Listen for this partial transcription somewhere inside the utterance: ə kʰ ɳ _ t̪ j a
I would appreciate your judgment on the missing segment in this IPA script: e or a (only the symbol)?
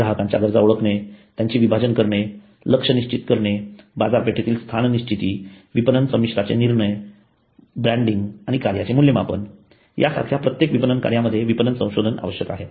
e